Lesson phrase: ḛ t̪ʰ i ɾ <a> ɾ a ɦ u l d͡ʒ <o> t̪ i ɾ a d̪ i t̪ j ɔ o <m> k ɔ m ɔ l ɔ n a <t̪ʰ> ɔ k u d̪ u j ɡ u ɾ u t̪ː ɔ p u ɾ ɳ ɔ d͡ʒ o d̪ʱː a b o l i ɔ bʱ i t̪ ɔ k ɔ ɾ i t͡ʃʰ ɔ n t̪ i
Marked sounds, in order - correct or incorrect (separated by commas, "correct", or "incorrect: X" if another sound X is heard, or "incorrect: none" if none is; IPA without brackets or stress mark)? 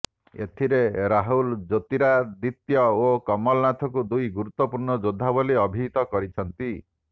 incorrect: e, correct, incorrect: none, correct